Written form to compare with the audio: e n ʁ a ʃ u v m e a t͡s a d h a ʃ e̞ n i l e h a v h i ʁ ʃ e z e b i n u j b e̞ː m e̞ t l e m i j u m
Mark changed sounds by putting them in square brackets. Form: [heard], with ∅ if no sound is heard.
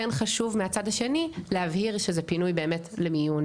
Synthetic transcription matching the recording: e n [χ] a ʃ u v m e a t͡s a d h a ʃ e̞ n i l e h a v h i ʁ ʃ e z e [p] i n u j b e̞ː m e̞ t l e m i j u [n]